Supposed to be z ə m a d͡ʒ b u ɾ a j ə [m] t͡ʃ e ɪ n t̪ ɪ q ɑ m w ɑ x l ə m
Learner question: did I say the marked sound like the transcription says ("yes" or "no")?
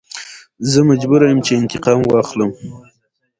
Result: yes